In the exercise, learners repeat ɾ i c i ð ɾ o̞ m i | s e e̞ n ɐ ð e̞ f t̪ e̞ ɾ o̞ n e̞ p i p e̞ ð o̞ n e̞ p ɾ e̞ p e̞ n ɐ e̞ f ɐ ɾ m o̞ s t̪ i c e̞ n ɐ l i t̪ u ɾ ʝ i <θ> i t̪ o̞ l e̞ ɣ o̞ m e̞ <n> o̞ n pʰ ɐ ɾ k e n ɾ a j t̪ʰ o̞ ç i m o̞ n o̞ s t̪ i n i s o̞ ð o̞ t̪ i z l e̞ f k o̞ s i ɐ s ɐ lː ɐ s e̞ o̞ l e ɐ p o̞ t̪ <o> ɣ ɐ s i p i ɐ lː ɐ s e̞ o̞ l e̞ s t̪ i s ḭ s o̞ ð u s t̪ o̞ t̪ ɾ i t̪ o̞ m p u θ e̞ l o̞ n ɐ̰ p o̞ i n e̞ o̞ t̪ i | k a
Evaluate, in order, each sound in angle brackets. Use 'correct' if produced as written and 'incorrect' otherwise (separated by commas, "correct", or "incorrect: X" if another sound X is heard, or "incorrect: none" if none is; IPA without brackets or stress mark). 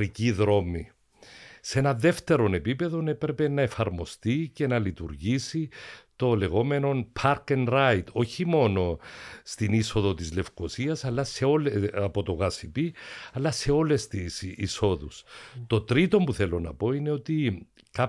incorrect: s, correct, correct